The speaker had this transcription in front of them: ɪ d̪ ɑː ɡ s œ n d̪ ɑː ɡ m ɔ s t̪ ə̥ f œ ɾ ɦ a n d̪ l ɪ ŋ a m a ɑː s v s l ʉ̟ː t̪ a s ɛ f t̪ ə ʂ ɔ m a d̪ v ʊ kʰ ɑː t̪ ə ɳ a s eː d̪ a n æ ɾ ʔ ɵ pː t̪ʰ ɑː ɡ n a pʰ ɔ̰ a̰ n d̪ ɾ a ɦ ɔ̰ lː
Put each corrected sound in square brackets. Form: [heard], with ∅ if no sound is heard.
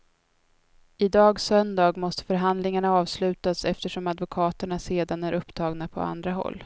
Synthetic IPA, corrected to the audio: ɪ d̪ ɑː ɡ s œ n d̪ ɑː ɡ m ɔ s t̪ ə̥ f œ ɾ ɦ a n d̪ l ɪ ŋ a [ɳ] a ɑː [∅] v s l ʉ̟ː t̪ a s ɛ f t̪ ə ʂ ɔ m a d̪ v ʊ kʰ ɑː t̪ ə ɳ a s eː d̪ a n æ ɾ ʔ ɵ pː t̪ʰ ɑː ɡ n a pʰ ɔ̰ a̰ n d̪ ɾ a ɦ ɔ̰ lː